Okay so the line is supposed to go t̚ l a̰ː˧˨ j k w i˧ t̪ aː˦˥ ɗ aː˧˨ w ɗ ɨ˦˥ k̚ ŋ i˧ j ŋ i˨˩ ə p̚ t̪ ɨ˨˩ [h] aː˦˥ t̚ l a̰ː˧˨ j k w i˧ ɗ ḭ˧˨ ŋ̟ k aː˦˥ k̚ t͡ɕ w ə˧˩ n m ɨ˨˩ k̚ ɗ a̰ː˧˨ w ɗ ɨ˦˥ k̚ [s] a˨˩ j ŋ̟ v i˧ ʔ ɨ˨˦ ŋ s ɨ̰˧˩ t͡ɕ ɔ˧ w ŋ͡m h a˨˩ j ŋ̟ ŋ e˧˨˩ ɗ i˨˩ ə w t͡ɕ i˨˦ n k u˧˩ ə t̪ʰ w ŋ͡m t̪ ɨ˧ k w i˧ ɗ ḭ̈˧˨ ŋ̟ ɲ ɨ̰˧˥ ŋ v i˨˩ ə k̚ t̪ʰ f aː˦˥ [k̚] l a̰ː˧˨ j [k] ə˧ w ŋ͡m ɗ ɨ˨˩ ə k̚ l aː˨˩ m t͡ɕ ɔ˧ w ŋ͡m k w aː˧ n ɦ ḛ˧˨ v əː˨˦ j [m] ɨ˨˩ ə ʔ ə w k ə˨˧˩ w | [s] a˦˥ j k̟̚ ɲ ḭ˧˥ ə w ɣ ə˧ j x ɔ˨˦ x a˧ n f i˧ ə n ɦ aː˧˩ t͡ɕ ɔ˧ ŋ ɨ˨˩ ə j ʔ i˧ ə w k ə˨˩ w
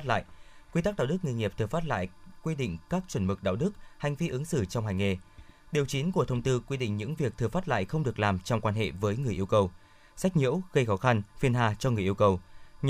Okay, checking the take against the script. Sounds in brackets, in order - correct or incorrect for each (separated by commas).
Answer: incorrect, incorrect, incorrect, incorrect, incorrect, correct